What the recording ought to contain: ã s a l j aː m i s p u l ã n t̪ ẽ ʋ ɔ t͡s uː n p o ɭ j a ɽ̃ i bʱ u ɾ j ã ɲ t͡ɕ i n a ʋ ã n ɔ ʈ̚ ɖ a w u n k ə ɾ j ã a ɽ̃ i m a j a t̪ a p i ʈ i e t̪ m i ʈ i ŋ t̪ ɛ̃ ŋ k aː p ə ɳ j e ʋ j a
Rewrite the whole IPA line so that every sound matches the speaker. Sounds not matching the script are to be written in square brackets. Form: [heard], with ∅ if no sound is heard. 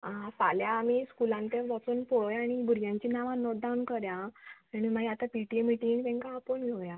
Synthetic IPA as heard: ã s a l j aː m i s [k] u l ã n t̪ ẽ ʋ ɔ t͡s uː n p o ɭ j a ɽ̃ i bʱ u ɾ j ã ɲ t͡ɕ i n a ʋ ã n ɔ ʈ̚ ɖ a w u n k ə ɾ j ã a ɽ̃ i m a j a t̪ a p i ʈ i e [∅] m i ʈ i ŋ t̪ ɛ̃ ŋ k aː p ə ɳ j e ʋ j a